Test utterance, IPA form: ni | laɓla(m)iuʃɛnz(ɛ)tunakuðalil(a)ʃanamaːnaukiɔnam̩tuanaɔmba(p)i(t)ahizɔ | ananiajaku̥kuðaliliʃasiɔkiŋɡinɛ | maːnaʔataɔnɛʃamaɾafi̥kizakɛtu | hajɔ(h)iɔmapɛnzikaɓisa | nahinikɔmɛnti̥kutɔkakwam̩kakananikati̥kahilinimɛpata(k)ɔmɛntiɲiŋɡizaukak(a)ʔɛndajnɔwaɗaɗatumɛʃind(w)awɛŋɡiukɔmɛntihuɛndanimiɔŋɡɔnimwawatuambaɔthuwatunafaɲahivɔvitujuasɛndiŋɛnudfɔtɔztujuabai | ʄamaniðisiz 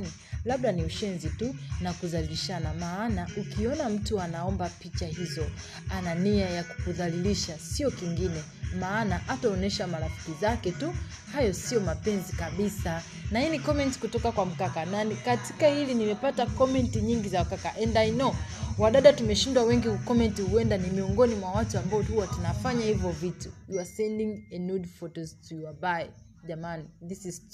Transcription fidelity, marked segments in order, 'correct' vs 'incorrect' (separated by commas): incorrect, incorrect, incorrect, correct, incorrect, incorrect, correct, correct, correct